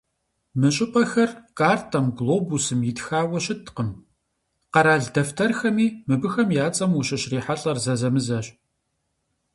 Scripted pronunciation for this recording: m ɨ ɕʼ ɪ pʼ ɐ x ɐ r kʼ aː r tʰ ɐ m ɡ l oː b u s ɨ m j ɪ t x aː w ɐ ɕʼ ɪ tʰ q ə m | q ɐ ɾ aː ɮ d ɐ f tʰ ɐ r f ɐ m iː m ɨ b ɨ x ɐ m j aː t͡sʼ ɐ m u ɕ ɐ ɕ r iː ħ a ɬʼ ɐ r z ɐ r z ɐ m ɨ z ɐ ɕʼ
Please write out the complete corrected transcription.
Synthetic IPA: m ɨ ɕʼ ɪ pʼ ɐ x ɐ r kʼ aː r tʰ ɐ m ɡ l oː b u s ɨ m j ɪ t x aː w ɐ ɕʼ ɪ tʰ q ə m | q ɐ ɾ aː ɮ d ɐ f tʰ ɐ r x ɐ m iː m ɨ b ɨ x ɐ m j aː t͡sʼ ɐ m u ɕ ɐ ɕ r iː ħ a ɬʼ ɐ r z ɐ z ɐ m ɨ z ɐ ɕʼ